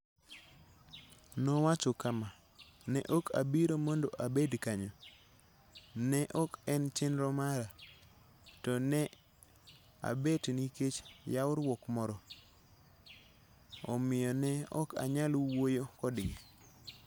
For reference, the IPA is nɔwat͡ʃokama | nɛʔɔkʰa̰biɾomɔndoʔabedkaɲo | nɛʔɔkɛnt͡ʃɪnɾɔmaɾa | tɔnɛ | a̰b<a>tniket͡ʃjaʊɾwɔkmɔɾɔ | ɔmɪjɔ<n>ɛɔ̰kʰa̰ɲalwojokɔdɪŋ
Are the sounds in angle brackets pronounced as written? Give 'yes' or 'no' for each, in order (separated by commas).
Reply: no, yes